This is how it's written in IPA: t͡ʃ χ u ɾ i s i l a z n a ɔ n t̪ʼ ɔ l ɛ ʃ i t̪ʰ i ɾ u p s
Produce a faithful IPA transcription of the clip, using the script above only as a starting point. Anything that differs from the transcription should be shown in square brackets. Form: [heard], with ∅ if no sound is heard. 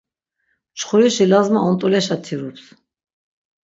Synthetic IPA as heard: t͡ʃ χ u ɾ i [ʃ] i l a z [m] a ɔ n t̪ʼ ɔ l ɛ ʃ [a] t̪ʰ i ɾ u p s